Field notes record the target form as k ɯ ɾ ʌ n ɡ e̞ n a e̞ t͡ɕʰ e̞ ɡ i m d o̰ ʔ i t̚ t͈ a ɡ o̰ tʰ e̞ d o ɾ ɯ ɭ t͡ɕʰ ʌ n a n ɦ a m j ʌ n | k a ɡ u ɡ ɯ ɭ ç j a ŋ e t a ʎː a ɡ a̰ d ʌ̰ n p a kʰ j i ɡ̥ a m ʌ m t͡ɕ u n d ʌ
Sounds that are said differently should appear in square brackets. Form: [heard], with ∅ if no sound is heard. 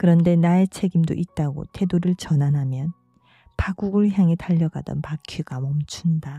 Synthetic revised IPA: k ɯ ɾ ʌ n [d] e̞ n a e̞ t͡ɕʰ e̞ ɡ i m d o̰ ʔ i t̚ t͈ a ɡ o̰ tʰ e̞ d o ɾ ɯ ɭ [t͡ɕ] ʌ n a n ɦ a m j ʌ n | [p] a ɡ u ɡ ɯ ɭ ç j a ŋ e t a ʎː [ʌ] ɡ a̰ d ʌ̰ n p a kʰ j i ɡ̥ a m ʌ m [t͡ɕʰ] u n d [a]